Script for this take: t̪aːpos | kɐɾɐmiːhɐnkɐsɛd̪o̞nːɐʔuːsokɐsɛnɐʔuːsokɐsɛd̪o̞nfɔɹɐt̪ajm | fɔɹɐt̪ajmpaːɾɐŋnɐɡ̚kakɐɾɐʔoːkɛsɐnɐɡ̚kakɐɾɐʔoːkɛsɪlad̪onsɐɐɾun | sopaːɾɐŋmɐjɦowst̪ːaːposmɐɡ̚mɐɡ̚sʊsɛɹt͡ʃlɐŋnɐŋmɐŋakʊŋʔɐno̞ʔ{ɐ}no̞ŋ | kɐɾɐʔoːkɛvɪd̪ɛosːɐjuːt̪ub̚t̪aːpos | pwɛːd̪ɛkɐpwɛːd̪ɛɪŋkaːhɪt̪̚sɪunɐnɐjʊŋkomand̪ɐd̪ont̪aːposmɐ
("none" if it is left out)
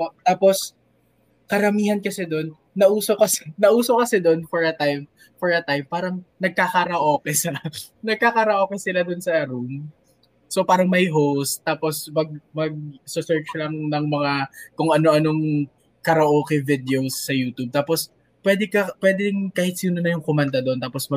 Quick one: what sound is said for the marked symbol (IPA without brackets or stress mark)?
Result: ɐ